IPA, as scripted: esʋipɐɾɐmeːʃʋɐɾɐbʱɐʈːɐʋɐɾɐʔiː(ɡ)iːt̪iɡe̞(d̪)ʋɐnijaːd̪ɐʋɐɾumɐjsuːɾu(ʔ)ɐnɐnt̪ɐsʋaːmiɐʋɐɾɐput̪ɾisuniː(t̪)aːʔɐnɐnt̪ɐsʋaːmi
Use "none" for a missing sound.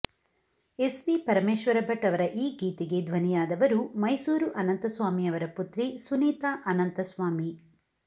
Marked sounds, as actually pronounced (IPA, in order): ɡ, d̪, ʔ, t̪

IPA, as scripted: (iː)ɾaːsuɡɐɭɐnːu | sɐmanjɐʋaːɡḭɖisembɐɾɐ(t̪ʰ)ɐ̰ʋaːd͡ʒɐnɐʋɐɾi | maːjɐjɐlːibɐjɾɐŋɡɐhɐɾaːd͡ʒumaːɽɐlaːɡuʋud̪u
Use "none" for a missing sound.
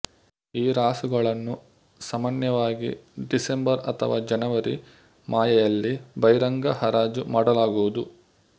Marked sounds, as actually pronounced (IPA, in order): iː, t̪ʰ

